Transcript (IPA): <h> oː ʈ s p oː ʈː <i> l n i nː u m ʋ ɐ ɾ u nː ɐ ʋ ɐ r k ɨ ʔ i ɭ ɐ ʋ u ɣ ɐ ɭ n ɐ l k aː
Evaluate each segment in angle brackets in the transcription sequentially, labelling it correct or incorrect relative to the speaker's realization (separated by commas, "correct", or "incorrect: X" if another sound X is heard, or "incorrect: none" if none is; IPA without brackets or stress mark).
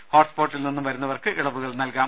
correct, correct